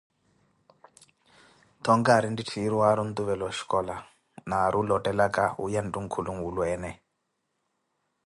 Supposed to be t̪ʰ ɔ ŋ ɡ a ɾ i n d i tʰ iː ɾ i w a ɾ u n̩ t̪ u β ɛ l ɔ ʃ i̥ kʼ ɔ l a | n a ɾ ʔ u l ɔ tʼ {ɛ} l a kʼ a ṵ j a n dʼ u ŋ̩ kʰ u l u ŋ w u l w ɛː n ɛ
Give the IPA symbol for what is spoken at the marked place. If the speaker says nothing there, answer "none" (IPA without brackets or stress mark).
ɛ